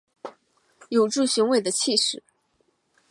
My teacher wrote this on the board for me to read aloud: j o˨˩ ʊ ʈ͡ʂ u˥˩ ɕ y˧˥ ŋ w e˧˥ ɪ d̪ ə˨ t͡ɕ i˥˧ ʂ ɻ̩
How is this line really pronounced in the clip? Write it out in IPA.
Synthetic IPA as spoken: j o˨˩ ʊ ʈ͡ʂ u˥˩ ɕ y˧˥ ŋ w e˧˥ ɪ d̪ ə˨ t͡ɕʰ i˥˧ ʂ ɻ̩